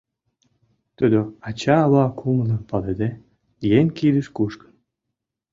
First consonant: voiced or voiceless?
voiceless